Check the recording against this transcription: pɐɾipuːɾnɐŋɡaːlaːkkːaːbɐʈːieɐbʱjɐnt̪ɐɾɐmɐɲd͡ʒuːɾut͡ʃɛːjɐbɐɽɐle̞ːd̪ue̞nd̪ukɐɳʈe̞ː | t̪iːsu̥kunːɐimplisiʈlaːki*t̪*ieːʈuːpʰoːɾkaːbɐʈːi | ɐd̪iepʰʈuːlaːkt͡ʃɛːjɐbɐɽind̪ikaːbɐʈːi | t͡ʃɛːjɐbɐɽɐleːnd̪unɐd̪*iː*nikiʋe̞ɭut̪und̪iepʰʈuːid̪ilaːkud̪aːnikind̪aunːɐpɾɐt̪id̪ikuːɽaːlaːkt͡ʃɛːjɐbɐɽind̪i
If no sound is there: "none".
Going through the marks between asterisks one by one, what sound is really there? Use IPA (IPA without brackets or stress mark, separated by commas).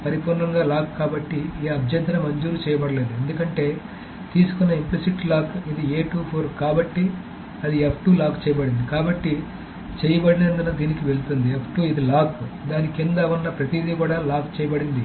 d̪, iː